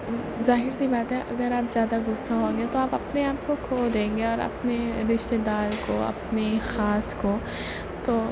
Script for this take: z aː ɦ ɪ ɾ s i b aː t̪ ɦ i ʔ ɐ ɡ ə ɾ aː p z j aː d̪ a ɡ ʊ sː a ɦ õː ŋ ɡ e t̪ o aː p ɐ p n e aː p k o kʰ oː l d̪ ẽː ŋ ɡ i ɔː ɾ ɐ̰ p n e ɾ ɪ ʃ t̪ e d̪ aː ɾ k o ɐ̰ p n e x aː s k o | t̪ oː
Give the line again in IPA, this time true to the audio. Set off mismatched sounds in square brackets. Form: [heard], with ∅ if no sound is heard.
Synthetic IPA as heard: z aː ɦ ɪ ɾ s i b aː t̪ ɦ [ɛ] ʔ ɐ ɡ ə ɾ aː p z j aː d̪ a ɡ ʊ sː a ɦ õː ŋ ɡ e t̪ o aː p ɐ p n e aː p k o kʰ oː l d̪ ẽː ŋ ɡ [e] ɔː ɾ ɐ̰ p n e ɾ ɪ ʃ t̪ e d̪ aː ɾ k o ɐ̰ p n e x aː s k o | t̪ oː